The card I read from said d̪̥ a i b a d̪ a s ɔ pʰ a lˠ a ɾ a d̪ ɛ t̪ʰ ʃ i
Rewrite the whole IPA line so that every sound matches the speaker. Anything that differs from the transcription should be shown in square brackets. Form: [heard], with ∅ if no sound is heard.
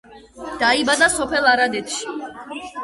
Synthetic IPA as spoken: d̪̥ a i b a d̪ a s ɔ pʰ [ɛ] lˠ a ɾ a d̪ ɛ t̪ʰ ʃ i

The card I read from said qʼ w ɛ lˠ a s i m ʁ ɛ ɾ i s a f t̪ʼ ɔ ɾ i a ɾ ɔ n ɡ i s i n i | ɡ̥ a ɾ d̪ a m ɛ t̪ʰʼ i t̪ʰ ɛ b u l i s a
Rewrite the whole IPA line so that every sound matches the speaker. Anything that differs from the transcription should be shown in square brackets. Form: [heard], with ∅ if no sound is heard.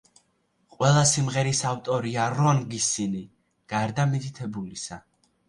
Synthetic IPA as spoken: qʼ w ɛ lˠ a s i m ʁ ɛ ɾ i s a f t̪ʼ ɔ ɾ i a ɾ ɔ n ɡ i s i n i | ɡ̥ a ɾ d̪ a m [i] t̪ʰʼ i t̪ʰ ɛ b u l i s a

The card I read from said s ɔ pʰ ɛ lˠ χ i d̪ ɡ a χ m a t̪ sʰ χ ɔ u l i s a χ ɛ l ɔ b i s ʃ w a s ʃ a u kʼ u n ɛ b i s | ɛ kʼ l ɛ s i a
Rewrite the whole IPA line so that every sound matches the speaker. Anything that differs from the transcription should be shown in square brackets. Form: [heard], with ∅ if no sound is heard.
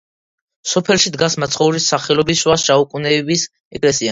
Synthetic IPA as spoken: s ɔ pʰ ɛ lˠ [ʃ] i d̪ ɡ a [s] m a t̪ sʰ χ ɔ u [ɾ] i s a χ ɛ l ɔ b i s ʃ w a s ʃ a u kʼ u n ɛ b i s | ɛ kʼ l ɛ s i a

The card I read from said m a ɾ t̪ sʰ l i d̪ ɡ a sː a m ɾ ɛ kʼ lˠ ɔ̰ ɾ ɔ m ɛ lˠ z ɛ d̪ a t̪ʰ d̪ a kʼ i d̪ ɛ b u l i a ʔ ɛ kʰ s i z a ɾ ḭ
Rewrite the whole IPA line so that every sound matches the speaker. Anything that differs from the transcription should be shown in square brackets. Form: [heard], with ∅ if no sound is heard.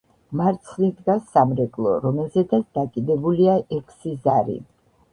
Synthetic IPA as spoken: m a ɾ t̪ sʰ l i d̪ ɡ a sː a m ɾ ɛ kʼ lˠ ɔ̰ ɾ ɔ m ɛ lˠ z ɛ d̪ a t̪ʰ d̪ a kʼ i d̪ ɛ b u l i a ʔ ɛ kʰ s i z a ɾ ḭ

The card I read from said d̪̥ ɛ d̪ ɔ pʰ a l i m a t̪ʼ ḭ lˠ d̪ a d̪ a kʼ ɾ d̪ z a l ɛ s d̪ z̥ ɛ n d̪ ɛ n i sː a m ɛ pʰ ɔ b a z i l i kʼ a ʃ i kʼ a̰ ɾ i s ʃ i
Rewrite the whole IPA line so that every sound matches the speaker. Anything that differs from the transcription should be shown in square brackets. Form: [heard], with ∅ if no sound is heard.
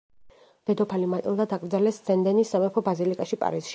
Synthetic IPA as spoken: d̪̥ ɛ d̪ ɔ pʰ a l i m a t̪ʼ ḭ lˠ d̪ a d̪ a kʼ ɾ d̪ z a l ɛ s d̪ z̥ ɛ n d̪ ɛ n i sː a m ɛ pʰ ɔ b a z i l i kʼ a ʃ i [pʼ] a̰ ɾ i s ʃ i

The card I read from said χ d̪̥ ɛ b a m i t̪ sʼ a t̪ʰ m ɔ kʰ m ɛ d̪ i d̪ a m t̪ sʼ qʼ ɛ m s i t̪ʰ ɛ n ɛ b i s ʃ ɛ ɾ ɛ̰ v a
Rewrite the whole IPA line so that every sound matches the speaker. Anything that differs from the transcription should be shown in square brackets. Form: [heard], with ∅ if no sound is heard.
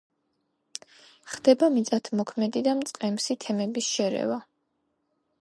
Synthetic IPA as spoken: χ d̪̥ ɛ b a m i t̪ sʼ a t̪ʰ m ɔ kʰ m ɛ d̪ i d̪ a m t̪ sʼ qʼ ɛ m s i t̪ʰ ɛ [m] ɛ b i s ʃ ɛ ɾ ɛ̰ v a

